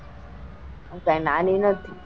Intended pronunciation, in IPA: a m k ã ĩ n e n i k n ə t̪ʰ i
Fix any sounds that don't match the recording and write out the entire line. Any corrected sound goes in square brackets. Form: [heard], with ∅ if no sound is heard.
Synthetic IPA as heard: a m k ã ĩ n [a] n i [∅] n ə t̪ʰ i